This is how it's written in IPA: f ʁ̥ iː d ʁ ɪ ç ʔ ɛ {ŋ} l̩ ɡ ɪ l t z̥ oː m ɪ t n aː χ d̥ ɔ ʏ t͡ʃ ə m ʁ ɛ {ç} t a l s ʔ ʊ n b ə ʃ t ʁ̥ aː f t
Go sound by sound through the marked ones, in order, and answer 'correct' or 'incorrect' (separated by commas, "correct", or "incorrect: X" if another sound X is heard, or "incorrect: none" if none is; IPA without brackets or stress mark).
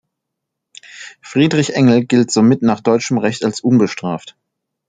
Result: correct, correct